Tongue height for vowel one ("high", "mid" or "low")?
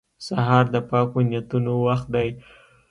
low